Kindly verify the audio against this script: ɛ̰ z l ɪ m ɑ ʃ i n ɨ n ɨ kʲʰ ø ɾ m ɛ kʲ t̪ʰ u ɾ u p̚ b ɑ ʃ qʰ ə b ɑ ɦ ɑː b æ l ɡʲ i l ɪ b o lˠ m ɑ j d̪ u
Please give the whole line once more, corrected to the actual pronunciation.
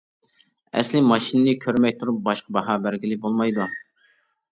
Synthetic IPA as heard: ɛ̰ s l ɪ m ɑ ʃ i n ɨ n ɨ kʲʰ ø ɾ m ɛ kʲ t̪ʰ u ɾ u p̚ b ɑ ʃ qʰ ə b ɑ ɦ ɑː b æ ɾ ɡʲ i l ɪ b o lˠ m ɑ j d̪ u